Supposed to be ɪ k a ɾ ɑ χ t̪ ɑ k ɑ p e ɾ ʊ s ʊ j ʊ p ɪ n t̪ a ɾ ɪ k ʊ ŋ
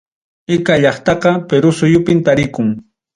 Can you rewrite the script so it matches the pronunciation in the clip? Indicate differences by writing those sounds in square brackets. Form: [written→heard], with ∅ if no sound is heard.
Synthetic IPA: ɪ k a [ɾ→ʎ] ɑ χ t̪ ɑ [k→q] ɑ p e ɾ ʊ s ʊ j ʊ p ɪ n t̪ a ɾ ɪ k ʊ ŋ